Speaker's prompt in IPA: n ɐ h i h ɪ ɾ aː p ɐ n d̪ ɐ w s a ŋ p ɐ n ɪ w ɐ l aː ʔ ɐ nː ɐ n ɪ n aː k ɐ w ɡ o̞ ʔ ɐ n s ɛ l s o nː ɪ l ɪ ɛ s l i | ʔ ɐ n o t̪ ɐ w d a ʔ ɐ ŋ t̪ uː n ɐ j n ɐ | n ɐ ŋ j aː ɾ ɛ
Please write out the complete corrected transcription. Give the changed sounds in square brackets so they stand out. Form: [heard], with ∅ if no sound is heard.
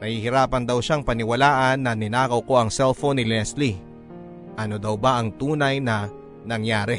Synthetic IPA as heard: n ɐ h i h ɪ ɾ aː p ɐ n d̪ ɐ w [ʃ] a ŋ p ɐ n ɪ w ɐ l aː ʔ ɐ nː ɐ n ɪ n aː k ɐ w [k] o̞ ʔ ɐ [ŋ] s ɛ l [f] o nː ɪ l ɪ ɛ s l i | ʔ ɐ n o [d̪] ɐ w [b] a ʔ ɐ ŋ t̪ uː n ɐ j n ɐ | n ɐ ŋ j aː ɾ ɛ